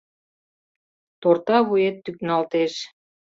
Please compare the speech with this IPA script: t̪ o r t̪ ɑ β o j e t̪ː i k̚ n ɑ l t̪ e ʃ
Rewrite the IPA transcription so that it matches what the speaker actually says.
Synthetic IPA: t̪ o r t̪ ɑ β u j e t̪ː y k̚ n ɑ l t̪ e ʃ